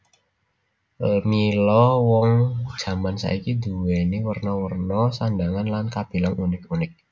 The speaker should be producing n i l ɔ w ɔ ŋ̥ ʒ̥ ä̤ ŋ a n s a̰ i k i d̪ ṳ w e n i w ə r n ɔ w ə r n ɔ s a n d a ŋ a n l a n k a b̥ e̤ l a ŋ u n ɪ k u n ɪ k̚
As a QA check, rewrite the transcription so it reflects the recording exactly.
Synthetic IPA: m i l ɔ w ɔ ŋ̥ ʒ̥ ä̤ m a n s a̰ i k i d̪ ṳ w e n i w ə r n ɔ w ə r n ɔ s a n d a ŋ a n l a n k a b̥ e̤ l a ŋ u n ɪ k u n ɪ k̚